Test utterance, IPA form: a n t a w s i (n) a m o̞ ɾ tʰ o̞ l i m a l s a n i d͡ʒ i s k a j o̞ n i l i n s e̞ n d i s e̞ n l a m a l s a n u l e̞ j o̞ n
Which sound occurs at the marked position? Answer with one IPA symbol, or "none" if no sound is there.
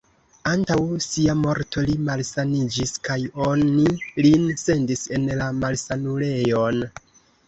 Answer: none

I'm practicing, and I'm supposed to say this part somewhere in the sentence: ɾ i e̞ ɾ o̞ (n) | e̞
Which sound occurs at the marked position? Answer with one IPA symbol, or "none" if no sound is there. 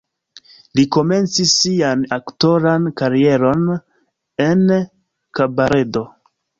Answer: n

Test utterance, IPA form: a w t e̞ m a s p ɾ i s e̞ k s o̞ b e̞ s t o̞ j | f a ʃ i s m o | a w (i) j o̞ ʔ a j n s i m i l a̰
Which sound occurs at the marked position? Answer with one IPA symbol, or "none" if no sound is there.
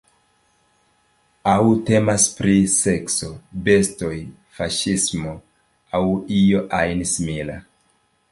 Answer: i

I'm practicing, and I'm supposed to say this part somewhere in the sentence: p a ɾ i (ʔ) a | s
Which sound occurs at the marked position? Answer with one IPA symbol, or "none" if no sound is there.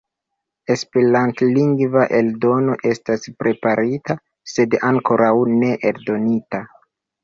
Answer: t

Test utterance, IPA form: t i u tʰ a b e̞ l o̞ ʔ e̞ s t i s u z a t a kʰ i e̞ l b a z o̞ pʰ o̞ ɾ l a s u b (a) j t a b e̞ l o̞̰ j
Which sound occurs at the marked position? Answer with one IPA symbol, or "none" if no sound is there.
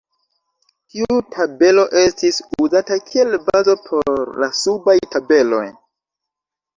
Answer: a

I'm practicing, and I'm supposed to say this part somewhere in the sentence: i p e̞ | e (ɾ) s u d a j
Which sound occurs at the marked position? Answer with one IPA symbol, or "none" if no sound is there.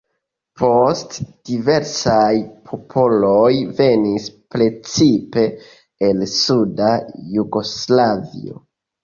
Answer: l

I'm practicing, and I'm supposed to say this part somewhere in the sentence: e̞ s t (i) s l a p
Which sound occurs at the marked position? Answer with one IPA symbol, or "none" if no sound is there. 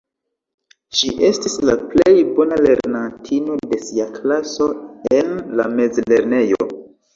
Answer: i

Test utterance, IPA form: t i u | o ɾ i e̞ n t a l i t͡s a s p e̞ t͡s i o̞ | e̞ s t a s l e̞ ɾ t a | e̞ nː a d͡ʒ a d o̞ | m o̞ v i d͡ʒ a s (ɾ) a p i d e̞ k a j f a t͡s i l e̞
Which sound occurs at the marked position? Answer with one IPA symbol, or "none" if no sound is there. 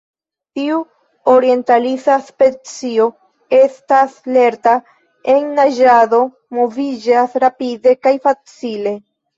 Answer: ɾ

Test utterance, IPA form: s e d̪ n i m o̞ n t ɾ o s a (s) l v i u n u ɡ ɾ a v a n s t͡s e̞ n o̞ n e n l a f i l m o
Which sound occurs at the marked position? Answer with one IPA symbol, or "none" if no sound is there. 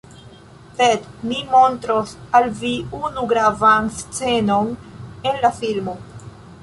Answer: none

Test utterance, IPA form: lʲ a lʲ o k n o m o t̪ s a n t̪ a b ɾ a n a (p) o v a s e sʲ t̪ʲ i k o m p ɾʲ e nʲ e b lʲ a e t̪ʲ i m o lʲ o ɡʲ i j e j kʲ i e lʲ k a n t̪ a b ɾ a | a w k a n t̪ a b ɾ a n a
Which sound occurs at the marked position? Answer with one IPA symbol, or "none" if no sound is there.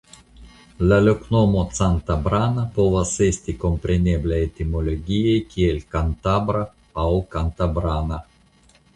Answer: p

